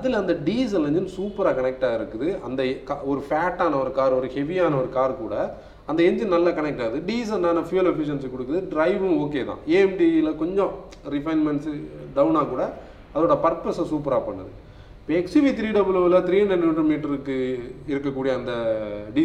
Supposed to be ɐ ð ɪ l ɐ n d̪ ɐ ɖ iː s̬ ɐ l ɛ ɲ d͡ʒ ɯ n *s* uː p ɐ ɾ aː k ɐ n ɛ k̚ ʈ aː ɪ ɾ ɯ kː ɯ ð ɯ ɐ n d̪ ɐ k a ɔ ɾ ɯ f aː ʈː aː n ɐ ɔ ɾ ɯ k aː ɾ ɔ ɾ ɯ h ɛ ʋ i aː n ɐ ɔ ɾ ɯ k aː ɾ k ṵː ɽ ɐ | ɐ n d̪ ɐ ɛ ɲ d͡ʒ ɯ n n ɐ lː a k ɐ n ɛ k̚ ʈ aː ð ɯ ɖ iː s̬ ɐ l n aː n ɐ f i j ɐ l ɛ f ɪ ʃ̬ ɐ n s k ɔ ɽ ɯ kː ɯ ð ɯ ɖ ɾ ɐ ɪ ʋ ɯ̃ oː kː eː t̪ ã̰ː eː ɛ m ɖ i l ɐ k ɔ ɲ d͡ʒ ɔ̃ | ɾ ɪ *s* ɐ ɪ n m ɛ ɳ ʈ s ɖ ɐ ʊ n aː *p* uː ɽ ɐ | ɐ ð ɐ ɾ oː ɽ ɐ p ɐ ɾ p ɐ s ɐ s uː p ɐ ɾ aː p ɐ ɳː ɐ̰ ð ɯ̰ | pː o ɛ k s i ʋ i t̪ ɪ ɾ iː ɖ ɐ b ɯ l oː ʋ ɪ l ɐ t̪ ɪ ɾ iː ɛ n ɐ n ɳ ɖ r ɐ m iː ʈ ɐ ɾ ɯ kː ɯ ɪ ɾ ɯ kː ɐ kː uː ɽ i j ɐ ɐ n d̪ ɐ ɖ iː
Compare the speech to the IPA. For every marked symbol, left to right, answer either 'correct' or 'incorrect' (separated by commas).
correct, incorrect, incorrect